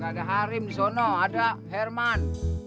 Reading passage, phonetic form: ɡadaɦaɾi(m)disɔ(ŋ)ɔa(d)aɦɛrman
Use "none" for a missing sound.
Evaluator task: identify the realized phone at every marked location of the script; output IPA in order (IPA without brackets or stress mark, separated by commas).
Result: m, n, d